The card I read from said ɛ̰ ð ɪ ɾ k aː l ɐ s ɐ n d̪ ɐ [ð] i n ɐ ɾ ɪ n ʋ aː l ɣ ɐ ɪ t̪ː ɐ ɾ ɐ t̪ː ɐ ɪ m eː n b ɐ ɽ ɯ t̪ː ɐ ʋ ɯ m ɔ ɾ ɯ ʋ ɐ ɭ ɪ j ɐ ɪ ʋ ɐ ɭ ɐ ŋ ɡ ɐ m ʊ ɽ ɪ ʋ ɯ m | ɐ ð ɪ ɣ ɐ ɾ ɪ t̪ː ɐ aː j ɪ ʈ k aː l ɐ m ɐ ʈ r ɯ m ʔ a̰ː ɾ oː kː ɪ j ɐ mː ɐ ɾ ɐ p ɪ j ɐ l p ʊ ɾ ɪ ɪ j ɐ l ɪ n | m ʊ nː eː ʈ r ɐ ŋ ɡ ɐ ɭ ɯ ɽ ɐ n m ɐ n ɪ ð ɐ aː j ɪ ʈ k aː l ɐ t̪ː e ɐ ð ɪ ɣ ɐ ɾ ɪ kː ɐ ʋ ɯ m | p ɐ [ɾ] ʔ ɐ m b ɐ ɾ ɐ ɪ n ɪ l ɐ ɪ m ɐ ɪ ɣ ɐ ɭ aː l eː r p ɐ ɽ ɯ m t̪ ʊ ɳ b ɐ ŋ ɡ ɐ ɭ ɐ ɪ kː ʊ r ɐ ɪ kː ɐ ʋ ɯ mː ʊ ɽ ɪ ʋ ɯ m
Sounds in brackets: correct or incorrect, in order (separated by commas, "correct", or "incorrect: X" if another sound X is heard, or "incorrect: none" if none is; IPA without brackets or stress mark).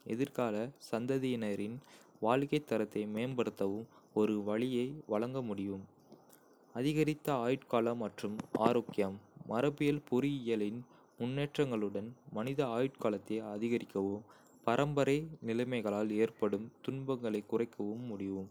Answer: correct, correct